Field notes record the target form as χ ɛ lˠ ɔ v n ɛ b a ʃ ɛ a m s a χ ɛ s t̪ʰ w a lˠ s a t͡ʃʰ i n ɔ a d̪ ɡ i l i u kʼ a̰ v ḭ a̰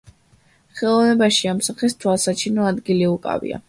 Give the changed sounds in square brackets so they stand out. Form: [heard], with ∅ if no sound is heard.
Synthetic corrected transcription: χ ɛ lˠ ɔ v n ɛ b a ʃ [i] a m s a χ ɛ s t̪ʰ w a lˠ s a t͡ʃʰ i n ɔ a d̪ ɡ i l i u kʼ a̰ v ḭ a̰

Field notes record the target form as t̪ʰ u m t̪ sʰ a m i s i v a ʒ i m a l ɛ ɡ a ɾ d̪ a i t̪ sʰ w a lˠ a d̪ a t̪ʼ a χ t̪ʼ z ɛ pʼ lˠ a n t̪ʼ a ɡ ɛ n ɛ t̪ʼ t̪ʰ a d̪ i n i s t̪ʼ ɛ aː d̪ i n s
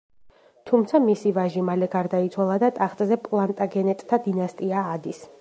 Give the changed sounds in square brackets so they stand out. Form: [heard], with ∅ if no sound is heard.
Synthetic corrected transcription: t̪ʰ u m t̪ sʰ a m i s i v a ʒ i m a l ɛ ɡ a ɾ d̪ a i t̪ sʰ w a lˠ a d̪ a t̪ʼ a χ t̪ʼ z ɛ pʼ lˠ a n t̪ʼ a ɡ ɛ n ɛ t̪ʼ t̪ʰ a d̪ i n [a] s t̪ʼ [i] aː d̪ i [∅] s

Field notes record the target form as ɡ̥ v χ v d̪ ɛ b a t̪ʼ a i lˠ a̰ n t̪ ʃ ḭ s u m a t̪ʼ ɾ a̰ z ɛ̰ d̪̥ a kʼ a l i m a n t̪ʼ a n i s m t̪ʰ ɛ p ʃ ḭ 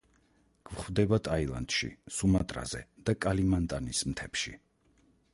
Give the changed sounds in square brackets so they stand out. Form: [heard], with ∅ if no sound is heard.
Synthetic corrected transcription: ɡ̥ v χ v d̪ ɛ b a t̪ʼ a i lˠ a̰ n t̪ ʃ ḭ s u m a t̪ʼ ɾ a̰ z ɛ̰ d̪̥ a kʼ a l i m a n t̪ʼ a n i s m t̪ʰ ɛ p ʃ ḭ

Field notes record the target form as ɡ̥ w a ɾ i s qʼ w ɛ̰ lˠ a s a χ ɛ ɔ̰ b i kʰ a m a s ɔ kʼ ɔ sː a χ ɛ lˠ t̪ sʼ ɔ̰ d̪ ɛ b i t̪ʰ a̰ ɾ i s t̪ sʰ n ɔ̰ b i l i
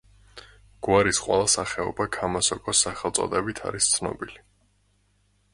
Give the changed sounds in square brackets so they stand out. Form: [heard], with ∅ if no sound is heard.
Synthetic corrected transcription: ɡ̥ w a ɾ i s qʼ w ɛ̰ lˠ a s a χ ɛ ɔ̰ b [a] kʰ a m a s ɔ kʼ ɔ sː a χ ɛ lˠ t̪ sʼ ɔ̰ d̪ ɛ b i t̪ʰ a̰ ɾ i s t̪ sʰ n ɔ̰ b i l i

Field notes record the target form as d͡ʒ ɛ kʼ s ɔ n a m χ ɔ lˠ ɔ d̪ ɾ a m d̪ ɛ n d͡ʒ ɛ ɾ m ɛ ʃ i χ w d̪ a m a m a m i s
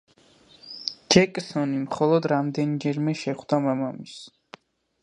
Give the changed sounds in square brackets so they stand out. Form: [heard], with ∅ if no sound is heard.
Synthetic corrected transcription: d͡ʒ ɛ kʼ s ɔ n [i] m χ ɔ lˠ ɔ d̪ ɾ a m d̪ ɛ n d͡ʒ ɛ ɾ m ɛ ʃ [ɛ] χ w d̪ a m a m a m i s

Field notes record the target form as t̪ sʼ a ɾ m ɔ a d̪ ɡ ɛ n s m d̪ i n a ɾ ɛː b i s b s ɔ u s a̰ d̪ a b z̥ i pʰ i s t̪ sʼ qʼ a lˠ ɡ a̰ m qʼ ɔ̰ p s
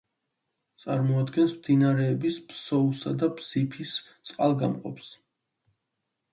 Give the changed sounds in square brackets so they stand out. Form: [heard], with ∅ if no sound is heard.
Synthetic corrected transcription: t̪ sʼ a ɾ m ɔ a d̪ ɡ ɛ n s m d̪ i n a ɾ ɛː b i s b s ɔ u s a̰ d̪ a b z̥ i pʰ i s t̪ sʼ qʼ a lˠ ɡ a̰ m qʼ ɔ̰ p s

